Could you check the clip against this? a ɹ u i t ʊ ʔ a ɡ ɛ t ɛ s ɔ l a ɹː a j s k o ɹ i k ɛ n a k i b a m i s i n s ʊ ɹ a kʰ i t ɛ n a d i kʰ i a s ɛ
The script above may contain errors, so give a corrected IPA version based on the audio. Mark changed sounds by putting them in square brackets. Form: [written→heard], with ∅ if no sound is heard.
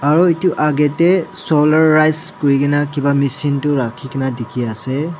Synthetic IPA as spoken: a ɹ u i t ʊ ʔ a ɡ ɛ t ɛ s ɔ l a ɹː a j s k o ɹ i k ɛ n a k i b a m i s i n [s→t] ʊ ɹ a kʰ i [t→k] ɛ n a d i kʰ i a s ɛ